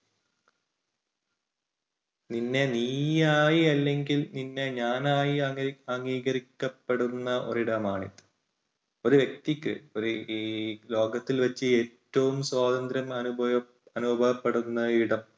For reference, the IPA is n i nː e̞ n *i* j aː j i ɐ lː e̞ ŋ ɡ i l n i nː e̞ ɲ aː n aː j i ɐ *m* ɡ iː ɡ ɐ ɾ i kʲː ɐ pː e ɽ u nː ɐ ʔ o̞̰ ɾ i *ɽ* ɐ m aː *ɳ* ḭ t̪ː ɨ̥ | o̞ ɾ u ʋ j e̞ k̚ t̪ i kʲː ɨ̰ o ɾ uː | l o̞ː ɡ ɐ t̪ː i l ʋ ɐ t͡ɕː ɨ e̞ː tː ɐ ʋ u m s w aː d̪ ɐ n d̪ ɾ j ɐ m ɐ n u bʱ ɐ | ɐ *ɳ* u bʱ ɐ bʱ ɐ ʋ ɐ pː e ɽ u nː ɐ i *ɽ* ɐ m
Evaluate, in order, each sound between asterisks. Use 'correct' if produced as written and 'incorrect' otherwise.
incorrect: iː, incorrect: ŋ, correct, correct, incorrect: n, correct

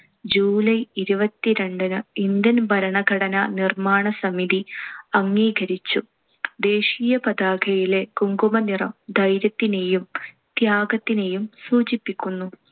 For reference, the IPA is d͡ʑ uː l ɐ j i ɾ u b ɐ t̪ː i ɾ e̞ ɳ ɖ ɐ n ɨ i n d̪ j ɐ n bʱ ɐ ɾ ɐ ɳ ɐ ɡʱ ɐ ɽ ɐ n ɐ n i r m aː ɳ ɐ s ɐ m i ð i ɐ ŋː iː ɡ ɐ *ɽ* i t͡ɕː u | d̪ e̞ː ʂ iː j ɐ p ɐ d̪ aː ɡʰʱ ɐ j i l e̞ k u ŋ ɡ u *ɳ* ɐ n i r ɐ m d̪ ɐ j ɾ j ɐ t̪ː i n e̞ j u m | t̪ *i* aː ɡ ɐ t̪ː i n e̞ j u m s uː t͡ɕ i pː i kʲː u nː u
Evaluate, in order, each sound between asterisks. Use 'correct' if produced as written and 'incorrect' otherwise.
incorrect: ɾ, incorrect: m, incorrect: j

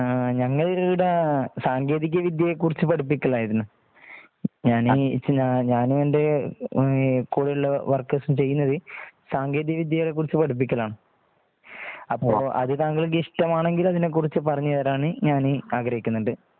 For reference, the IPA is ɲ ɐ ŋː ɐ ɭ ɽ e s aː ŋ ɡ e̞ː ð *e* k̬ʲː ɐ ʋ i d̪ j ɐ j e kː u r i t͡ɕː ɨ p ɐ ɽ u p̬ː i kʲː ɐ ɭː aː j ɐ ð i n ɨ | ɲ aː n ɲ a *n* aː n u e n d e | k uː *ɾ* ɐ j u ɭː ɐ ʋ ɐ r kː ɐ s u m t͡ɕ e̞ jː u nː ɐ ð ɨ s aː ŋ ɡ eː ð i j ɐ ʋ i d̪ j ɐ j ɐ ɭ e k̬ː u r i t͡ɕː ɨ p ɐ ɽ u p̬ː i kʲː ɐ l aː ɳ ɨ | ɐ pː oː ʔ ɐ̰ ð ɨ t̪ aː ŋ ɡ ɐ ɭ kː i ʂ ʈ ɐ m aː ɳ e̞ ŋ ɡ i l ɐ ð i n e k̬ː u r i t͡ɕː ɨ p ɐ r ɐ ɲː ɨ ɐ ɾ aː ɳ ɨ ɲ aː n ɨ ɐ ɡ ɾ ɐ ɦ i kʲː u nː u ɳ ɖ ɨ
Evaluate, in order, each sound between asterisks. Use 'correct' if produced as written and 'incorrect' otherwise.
incorrect: i, incorrect: ɲ, incorrect: ɽ

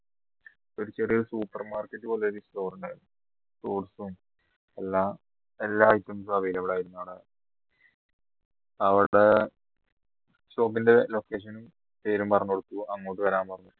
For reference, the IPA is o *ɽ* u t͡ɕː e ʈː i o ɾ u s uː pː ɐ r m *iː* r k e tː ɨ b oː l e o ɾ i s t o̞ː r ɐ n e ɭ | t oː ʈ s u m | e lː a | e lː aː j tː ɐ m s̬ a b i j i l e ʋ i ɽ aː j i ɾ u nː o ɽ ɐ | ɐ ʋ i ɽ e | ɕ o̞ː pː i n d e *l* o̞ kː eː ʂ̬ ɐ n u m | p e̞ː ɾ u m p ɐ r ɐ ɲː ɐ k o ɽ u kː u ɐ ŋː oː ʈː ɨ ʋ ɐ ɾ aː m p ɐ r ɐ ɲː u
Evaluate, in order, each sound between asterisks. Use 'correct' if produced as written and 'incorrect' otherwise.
incorrect: ɾ, incorrect: aː, correct

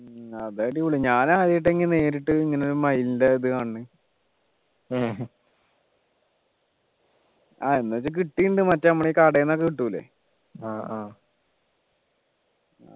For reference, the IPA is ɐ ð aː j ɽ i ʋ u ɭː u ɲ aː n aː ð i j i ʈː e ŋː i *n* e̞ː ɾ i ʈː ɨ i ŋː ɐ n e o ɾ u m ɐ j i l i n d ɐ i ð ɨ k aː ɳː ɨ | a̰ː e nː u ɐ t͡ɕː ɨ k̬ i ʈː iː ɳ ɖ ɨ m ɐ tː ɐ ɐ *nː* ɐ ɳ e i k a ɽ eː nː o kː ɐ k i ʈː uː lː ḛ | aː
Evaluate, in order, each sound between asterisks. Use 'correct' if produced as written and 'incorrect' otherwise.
correct, incorrect: mː

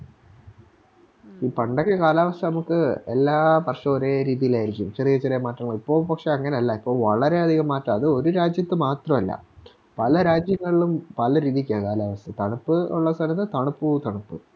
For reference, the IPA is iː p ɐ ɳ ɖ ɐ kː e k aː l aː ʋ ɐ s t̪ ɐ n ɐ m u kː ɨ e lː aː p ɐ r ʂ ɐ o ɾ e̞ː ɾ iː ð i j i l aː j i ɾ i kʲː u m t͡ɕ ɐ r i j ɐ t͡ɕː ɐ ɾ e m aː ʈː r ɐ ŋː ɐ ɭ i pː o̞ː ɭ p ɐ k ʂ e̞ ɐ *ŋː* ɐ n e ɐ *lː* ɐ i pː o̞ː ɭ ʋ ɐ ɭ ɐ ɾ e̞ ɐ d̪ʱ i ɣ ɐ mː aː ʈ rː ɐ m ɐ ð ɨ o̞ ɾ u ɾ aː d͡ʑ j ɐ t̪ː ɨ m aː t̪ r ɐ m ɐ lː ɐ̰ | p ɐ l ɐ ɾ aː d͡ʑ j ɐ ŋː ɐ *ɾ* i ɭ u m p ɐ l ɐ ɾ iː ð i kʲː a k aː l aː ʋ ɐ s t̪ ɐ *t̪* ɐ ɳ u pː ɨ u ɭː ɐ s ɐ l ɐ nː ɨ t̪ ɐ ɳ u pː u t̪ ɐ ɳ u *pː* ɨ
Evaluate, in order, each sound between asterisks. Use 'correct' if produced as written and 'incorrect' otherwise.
correct, correct, incorrect: ɭ, correct, correct

